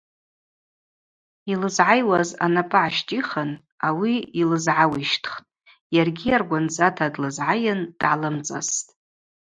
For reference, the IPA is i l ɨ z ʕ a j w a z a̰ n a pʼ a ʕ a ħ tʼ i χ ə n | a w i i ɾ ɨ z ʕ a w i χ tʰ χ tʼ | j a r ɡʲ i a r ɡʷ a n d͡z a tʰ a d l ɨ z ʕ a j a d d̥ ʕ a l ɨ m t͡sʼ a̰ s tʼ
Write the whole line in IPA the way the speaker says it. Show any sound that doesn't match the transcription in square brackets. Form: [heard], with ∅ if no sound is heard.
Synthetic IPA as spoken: i l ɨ z ʕ a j w a z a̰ n a pʼ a ʕ a [ʃ] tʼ i χ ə n | a w i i [l] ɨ z ʕ a w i [ʃ] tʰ χ tʼ | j a r ɡʲ i a r ɡʷ a n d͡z a tʰ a d l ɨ z ʕ a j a [n] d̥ ʕ a l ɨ m t͡sʼ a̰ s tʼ